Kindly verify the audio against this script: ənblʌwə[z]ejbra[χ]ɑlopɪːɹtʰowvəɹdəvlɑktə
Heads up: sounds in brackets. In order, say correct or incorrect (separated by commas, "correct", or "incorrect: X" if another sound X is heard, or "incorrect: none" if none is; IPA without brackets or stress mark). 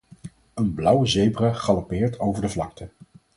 correct, correct